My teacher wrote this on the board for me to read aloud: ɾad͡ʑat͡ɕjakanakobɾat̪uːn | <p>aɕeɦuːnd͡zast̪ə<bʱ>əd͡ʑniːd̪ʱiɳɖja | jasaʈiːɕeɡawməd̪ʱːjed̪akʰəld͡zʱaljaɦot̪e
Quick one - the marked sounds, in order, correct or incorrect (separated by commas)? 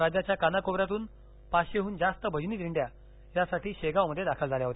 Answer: correct, correct